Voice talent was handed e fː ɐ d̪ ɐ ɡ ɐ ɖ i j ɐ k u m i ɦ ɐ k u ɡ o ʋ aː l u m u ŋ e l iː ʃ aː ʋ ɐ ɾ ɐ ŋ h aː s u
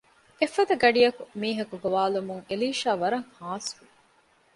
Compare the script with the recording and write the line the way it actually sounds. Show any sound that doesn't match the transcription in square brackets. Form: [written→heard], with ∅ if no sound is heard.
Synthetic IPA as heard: e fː ɐ d̪ ɐ ɡ ɐ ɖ i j ɐ k u m [i→iː] ɦ ɐ k u ɡ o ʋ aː l u m u ŋ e l iː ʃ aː ʋ ɐ ɾ ɐ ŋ h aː s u